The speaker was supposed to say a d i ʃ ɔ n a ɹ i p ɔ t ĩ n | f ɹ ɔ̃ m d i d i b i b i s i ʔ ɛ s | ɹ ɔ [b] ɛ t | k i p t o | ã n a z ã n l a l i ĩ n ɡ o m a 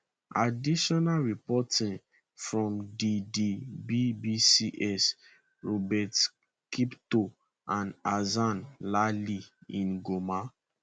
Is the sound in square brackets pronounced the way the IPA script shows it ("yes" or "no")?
yes